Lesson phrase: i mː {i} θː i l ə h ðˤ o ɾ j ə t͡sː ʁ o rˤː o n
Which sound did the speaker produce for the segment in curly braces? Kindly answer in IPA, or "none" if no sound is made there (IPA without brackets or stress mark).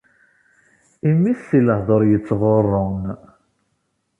i